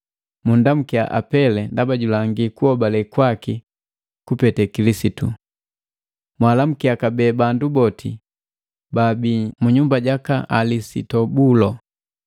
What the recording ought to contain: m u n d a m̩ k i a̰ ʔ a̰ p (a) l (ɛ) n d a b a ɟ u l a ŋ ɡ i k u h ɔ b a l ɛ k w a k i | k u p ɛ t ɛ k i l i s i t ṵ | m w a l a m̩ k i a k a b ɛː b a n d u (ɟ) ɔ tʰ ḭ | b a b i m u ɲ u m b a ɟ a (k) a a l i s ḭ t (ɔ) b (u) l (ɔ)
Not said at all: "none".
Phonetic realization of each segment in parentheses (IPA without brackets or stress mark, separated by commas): ɛ, ɛ, b, k, ɔ, u, ɔ